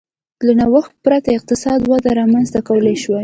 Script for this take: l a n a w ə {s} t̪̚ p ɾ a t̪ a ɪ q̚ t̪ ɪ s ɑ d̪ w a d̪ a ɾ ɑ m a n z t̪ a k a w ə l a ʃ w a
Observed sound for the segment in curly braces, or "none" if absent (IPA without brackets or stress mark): x